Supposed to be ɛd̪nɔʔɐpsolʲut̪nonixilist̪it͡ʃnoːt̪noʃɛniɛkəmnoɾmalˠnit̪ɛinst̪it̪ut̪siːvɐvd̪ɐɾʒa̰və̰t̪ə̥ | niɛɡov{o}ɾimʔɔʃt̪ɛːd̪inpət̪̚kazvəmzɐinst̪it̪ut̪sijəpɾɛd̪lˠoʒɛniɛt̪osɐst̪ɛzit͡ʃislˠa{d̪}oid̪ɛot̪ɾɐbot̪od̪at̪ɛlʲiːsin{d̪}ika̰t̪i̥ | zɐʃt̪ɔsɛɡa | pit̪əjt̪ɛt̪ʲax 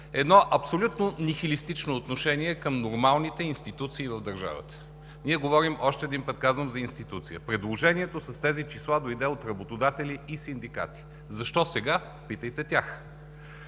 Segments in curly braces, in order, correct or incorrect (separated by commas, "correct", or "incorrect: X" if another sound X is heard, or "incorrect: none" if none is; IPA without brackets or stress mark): incorrect: ɔ, correct, correct